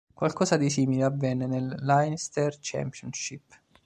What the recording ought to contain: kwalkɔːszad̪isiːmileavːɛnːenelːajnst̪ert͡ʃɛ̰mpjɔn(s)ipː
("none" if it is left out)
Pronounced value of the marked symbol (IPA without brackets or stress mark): ʃ